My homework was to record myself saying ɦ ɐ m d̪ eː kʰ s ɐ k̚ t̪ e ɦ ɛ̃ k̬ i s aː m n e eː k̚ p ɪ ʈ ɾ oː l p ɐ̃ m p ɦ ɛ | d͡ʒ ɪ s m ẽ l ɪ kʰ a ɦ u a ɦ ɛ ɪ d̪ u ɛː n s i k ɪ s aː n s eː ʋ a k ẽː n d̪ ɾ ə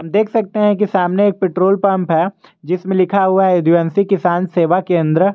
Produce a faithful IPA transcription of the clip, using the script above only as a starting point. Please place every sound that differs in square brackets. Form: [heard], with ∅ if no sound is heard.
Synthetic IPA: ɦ ɐ m d̪ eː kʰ s ɐ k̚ t̪ e ɦ ɛ̃ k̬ i s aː m n e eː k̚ p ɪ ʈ ɾ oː l p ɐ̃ m p ɦ ɛ | d͡ʒ ɪ s m ẽ l ɪ kʰ a ɦ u a ɦ ɛ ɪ d̪ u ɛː n s i k ɪ s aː n s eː ʋ a k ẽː n d̪ ɾ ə